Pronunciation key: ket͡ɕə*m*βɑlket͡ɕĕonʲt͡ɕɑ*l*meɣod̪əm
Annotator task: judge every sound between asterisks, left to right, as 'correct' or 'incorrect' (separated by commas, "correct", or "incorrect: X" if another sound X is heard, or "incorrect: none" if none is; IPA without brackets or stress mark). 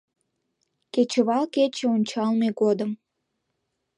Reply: incorrect: none, correct